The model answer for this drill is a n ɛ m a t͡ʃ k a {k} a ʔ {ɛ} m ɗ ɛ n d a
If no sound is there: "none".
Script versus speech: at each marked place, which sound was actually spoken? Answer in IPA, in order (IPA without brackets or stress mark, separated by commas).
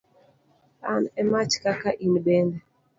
k, i